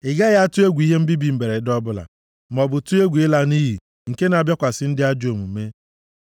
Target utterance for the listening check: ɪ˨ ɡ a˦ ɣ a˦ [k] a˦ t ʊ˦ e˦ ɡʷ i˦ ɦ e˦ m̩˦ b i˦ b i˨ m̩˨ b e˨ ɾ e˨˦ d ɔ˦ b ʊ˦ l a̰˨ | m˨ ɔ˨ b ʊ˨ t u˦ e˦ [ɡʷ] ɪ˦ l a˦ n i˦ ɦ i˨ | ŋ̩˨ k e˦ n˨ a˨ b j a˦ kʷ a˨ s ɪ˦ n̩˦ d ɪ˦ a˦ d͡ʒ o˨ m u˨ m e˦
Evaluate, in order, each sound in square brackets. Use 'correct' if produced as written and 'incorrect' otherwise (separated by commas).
incorrect, correct